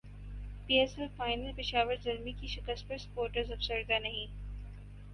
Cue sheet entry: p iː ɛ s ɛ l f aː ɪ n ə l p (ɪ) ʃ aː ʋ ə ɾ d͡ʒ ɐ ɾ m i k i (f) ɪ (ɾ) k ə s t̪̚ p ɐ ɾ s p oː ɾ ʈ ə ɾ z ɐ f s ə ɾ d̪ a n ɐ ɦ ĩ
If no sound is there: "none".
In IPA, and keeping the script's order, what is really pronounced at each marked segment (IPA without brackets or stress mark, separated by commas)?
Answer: ɪ, ʃ, none